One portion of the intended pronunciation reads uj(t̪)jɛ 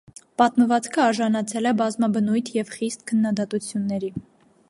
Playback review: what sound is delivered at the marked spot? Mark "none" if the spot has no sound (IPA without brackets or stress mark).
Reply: t̪ʰ